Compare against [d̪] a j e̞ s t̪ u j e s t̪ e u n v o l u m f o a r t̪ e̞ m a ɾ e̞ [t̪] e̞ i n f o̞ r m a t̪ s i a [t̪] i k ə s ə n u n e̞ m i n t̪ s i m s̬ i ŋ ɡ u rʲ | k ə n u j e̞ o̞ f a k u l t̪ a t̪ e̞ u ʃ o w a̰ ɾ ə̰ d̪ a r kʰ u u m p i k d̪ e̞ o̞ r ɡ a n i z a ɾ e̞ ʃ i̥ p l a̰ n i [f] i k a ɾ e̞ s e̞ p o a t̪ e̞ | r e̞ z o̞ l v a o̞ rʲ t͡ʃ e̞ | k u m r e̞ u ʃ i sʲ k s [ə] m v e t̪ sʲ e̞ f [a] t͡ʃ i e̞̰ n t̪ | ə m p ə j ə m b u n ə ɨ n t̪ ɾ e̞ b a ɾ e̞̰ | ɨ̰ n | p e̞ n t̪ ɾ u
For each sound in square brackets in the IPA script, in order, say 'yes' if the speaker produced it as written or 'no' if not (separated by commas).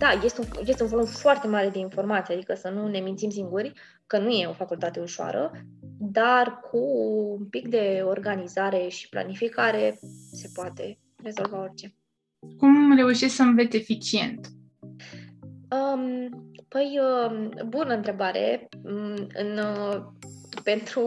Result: yes, no, no, yes, yes, no